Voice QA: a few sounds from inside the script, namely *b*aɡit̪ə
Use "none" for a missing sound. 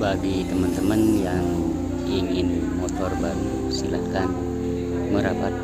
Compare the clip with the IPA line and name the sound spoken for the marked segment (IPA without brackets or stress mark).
b